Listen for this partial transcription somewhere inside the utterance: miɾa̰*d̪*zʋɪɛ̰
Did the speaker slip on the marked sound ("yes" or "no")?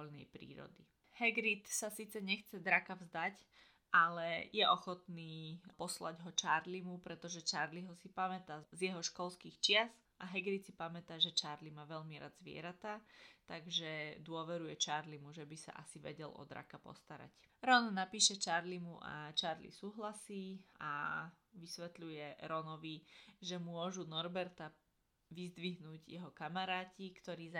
no